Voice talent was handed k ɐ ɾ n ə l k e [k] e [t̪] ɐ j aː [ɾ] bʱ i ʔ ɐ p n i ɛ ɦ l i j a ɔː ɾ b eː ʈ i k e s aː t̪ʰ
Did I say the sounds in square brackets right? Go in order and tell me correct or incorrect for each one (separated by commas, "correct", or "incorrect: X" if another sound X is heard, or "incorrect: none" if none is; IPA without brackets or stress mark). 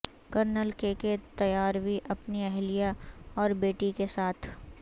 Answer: correct, correct, correct